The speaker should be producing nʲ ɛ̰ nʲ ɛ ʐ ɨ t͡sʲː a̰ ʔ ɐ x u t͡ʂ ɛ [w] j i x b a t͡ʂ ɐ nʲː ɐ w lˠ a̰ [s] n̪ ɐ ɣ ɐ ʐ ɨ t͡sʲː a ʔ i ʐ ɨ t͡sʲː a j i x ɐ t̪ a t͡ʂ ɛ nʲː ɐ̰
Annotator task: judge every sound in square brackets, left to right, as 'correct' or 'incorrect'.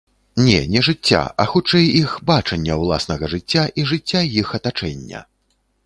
incorrect, correct

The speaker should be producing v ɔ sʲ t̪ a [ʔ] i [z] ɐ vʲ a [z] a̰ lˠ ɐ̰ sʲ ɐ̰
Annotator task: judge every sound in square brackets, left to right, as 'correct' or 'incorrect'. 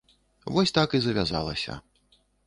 incorrect, correct, correct

